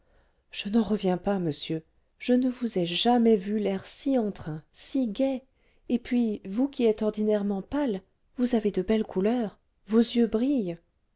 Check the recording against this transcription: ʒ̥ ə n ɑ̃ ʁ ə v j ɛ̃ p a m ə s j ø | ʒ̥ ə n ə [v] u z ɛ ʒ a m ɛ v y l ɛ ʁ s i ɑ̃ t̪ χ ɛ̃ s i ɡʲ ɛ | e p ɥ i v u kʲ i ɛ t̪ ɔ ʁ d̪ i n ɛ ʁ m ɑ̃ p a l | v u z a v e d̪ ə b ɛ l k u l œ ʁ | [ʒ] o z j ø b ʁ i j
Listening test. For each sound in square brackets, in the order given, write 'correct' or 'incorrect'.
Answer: correct, incorrect: v

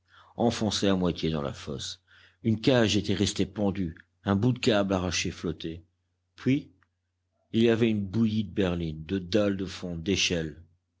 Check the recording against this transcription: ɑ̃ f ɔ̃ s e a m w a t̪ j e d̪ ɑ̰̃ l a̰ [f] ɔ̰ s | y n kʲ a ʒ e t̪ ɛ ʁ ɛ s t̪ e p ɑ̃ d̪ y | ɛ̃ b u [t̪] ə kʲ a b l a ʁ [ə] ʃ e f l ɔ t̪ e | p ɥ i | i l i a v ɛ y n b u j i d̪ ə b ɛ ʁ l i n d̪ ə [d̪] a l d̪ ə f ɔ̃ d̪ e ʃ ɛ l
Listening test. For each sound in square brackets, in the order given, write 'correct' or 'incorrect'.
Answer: correct, incorrect: d̪, incorrect: a, correct

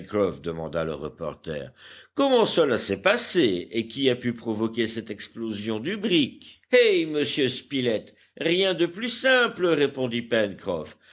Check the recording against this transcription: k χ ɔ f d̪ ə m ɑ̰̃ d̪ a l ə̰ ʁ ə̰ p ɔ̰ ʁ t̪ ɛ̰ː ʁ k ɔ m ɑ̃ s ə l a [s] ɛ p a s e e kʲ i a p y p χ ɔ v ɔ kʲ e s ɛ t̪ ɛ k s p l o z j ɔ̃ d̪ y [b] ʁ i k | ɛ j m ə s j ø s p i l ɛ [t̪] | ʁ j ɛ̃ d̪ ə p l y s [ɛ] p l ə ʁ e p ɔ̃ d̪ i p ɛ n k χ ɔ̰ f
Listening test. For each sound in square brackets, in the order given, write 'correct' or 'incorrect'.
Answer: correct, correct, correct, incorrect: ɛ̃

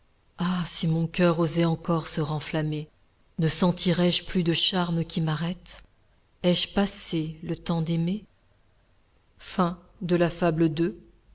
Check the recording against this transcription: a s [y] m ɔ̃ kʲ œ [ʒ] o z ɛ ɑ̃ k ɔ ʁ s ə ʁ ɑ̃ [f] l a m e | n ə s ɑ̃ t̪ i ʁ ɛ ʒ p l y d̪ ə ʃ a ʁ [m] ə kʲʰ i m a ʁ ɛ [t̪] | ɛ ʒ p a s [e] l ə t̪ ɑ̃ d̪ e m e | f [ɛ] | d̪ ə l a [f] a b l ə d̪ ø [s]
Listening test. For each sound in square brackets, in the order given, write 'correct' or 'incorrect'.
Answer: incorrect: i, incorrect: ʁ, correct, correct, correct, correct, incorrect: ɛ̃, correct, incorrect: none

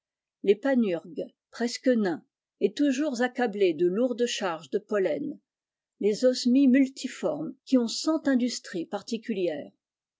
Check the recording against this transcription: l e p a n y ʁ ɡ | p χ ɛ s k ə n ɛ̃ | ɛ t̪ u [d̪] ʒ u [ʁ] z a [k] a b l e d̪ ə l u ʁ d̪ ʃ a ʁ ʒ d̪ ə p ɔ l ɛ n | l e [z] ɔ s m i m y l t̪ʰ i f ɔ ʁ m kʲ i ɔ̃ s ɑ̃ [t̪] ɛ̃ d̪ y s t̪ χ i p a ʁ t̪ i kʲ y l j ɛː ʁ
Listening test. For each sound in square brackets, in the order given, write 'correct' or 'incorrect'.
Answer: incorrect: none, correct, correct, correct, correct

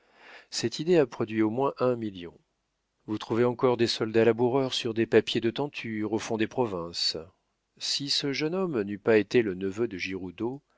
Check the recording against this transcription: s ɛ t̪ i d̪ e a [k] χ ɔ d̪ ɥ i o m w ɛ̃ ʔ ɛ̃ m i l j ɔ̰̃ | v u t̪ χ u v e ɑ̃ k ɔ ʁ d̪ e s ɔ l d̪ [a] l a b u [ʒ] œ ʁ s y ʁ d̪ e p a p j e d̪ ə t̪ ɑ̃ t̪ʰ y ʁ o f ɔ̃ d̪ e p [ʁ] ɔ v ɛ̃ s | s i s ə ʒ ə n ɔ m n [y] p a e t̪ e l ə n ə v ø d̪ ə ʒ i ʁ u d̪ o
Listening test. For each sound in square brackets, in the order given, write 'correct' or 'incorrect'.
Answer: incorrect: p, correct, incorrect: ʁ, incorrect: χ, correct

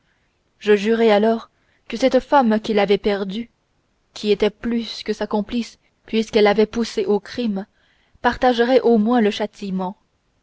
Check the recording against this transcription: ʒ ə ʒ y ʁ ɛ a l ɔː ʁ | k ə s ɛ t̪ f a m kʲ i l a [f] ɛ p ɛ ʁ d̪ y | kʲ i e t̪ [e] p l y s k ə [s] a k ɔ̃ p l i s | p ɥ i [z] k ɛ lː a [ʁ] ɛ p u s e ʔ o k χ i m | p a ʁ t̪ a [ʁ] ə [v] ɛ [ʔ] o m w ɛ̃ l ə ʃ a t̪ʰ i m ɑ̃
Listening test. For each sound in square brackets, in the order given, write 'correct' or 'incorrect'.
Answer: incorrect: v, incorrect: ɛ, correct, incorrect: s, incorrect: v, incorrect: ʒ, incorrect: ʁ, correct

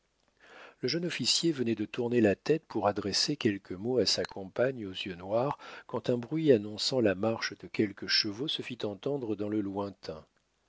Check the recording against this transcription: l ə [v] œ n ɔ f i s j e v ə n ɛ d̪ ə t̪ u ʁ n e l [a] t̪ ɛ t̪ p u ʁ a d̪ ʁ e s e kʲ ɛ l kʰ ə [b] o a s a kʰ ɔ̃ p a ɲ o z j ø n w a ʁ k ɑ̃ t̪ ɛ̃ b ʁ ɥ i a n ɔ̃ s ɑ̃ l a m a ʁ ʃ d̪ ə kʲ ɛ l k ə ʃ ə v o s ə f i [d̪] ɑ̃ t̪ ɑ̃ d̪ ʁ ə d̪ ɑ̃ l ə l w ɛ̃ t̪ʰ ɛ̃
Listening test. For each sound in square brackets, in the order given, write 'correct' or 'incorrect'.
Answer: incorrect: ʒ, correct, incorrect: m, incorrect: t̪

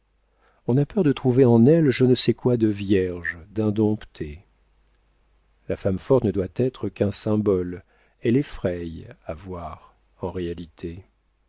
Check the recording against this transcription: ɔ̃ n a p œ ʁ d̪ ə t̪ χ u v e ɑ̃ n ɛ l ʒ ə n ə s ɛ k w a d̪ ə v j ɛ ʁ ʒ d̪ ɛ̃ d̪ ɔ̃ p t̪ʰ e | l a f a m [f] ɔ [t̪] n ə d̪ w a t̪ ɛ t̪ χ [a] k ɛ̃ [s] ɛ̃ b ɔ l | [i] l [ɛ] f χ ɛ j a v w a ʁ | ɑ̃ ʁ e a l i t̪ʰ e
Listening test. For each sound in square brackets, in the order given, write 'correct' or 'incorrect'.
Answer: correct, correct, incorrect: ə, correct, incorrect: ɛ, correct

